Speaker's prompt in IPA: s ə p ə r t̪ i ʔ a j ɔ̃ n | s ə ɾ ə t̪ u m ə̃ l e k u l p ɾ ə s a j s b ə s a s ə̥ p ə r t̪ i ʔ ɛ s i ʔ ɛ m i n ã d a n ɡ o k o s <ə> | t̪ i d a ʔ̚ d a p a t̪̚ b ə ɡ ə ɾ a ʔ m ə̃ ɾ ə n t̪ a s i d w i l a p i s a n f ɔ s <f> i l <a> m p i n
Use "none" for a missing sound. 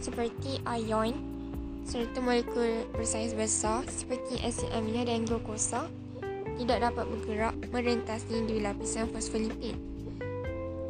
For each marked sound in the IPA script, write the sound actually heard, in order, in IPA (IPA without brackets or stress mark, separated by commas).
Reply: a, f, i